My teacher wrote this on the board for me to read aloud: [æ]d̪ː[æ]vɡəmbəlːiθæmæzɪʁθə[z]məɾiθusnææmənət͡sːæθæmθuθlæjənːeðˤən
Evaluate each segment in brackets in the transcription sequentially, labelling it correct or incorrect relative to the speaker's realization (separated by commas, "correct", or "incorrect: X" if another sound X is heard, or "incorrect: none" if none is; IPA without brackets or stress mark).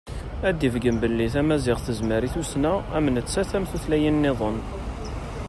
correct, incorrect: i, correct